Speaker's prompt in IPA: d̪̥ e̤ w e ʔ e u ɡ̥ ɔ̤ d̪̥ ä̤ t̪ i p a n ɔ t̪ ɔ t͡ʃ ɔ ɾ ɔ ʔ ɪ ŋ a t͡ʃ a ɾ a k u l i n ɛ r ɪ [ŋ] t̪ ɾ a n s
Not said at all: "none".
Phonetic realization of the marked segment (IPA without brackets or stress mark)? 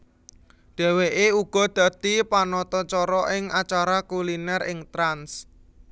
ŋ